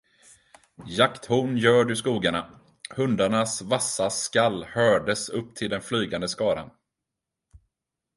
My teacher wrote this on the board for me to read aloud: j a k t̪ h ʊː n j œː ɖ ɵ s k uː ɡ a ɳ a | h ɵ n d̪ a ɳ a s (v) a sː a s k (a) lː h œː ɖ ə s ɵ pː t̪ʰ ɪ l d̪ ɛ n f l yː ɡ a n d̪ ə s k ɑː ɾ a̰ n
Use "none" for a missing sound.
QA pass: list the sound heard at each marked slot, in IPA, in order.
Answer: v, a

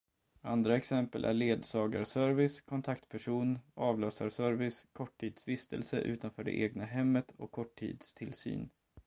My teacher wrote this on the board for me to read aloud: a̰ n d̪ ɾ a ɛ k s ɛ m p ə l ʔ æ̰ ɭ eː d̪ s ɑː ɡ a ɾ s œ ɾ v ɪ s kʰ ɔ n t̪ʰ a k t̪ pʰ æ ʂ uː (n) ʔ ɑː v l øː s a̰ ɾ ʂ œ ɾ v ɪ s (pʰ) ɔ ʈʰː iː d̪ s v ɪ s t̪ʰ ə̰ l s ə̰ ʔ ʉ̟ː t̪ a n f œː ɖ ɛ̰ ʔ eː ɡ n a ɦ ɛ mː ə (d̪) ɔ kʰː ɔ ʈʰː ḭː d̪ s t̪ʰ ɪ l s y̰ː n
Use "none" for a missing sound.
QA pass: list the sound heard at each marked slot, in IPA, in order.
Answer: n, kʰ, t̪

